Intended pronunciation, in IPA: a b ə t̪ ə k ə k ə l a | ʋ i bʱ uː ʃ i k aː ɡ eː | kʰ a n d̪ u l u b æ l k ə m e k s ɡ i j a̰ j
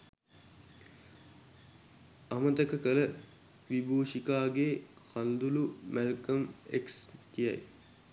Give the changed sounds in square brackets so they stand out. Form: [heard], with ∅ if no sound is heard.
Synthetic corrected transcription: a [m] ə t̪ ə k ə k ə l [ə] | ʋ i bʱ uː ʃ i k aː ɡ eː | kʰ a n d̪ u l u [m] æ l k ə m e k s [k] i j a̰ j